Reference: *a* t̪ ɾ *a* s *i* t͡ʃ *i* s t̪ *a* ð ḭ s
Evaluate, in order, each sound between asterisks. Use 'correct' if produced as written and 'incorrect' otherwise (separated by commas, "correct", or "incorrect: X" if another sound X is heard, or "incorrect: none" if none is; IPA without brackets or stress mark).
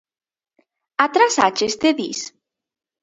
correct, correct, incorrect: a, incorrect: e, incorrect: e